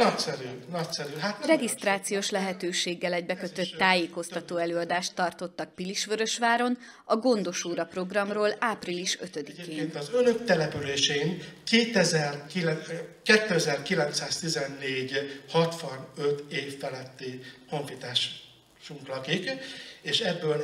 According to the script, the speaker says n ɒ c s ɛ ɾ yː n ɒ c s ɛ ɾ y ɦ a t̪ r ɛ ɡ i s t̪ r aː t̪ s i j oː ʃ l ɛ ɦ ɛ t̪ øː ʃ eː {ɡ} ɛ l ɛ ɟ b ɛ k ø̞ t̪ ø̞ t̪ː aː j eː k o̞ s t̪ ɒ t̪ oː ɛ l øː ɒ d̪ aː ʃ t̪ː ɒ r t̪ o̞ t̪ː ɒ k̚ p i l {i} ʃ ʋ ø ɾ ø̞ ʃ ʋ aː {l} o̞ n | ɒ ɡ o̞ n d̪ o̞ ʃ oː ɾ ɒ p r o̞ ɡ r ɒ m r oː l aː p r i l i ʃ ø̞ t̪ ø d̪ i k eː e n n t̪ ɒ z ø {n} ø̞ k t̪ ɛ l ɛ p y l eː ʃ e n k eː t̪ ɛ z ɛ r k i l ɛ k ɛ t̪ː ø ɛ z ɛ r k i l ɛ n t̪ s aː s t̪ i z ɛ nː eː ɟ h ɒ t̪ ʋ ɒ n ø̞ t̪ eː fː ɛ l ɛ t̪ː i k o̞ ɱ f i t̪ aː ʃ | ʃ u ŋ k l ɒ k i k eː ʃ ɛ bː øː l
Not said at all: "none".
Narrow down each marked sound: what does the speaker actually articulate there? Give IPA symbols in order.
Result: ɡː, i, ɾ, n

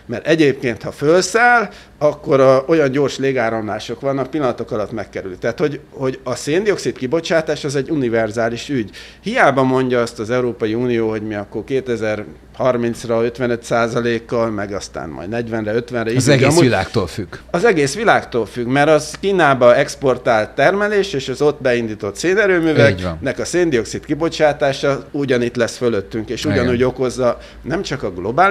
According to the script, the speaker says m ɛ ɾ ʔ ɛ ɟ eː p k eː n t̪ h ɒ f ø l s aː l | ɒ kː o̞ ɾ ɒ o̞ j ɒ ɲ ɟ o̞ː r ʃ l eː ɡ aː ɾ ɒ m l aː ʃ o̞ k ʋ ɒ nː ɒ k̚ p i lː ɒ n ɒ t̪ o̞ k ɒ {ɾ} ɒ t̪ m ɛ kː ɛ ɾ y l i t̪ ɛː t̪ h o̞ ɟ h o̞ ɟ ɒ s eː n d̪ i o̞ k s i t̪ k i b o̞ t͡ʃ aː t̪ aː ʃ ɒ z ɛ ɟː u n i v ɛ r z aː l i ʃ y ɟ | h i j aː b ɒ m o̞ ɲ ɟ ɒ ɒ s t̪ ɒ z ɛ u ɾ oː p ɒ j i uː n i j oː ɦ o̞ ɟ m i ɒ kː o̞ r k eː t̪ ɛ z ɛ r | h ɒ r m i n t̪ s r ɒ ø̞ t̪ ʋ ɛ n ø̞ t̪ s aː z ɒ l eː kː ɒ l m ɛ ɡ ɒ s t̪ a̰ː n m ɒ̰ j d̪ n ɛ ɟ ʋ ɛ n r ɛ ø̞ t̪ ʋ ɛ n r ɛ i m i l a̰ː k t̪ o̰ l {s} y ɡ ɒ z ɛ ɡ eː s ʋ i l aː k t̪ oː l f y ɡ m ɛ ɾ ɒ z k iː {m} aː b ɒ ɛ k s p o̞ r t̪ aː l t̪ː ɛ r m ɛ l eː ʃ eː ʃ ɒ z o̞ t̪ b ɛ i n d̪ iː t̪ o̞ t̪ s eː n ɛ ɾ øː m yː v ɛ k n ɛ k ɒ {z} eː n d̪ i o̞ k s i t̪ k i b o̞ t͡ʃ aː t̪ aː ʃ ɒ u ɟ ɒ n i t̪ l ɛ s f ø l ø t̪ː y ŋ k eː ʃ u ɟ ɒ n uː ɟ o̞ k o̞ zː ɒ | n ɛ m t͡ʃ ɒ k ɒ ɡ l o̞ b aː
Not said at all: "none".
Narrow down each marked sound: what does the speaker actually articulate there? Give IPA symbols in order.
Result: l, f, n, s

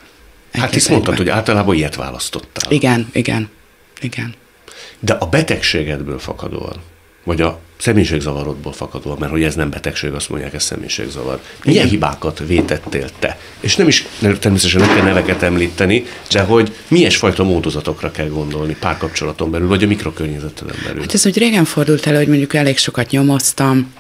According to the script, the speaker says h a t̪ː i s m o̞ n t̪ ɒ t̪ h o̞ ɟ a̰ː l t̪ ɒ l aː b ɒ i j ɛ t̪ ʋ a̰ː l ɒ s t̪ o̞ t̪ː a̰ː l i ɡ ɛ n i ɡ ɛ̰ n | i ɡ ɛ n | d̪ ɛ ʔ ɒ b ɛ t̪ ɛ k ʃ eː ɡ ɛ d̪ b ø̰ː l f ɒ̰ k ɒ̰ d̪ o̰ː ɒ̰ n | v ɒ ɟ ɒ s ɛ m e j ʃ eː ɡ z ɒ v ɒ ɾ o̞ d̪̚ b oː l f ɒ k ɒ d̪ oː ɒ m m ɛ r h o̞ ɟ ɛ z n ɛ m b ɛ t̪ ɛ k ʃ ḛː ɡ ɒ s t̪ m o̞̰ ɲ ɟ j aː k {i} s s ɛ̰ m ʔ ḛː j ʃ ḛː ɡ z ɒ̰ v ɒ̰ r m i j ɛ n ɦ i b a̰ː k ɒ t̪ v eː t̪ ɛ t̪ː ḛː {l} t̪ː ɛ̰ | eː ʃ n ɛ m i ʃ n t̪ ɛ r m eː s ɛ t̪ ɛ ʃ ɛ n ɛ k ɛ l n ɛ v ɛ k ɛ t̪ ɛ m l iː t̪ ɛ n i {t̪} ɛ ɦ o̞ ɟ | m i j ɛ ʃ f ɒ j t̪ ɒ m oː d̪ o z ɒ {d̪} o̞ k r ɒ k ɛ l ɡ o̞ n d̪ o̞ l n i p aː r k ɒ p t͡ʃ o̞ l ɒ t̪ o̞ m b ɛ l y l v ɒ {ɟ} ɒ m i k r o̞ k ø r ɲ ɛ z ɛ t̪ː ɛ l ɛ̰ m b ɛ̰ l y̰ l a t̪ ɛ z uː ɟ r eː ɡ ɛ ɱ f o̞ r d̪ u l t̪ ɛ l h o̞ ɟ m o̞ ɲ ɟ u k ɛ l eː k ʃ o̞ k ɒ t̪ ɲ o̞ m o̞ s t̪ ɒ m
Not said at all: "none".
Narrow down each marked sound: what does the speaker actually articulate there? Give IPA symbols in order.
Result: ɛ, l, d̪, t̪, ɟ

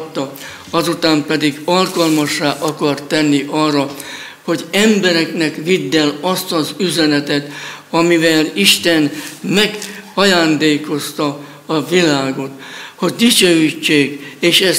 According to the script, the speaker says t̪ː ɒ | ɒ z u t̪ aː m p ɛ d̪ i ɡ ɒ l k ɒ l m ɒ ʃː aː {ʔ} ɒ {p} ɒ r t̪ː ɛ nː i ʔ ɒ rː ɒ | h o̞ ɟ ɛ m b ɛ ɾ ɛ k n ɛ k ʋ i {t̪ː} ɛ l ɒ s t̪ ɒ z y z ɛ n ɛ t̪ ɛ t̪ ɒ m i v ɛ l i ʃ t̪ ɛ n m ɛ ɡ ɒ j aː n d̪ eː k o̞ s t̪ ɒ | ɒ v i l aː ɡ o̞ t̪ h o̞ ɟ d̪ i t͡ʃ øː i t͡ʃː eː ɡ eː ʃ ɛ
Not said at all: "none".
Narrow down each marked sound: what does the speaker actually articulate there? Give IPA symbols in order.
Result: ʔ, k, d̪ː

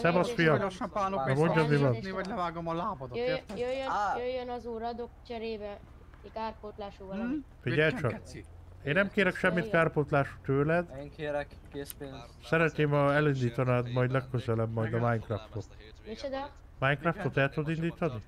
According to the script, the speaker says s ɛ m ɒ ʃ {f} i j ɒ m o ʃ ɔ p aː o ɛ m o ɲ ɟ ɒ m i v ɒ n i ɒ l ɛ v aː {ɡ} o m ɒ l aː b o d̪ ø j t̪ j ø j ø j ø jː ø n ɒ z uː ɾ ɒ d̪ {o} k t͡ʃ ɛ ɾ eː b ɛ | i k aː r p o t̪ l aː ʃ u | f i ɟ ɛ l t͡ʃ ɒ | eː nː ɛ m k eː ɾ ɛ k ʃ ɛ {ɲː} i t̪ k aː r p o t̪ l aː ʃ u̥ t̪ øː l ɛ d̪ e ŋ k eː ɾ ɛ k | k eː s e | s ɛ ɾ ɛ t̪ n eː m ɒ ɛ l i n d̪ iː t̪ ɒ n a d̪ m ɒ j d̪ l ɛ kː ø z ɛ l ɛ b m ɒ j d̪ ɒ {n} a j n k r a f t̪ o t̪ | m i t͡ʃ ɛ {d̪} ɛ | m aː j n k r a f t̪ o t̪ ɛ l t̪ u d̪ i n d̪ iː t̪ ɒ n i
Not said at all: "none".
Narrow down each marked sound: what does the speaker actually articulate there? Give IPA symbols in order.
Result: f, ɡ, o, mː, m, d̪

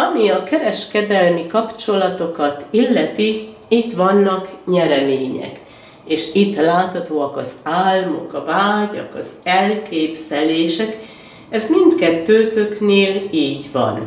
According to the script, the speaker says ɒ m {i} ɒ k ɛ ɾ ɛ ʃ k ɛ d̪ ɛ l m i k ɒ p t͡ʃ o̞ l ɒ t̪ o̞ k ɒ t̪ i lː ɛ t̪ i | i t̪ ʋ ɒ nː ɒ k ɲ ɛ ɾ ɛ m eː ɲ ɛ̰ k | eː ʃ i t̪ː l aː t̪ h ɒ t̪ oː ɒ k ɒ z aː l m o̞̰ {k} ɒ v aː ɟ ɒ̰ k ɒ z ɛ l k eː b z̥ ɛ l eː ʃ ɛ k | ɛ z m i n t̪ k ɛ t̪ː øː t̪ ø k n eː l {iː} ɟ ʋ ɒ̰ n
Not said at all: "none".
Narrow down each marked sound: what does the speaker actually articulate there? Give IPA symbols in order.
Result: i, k, iː

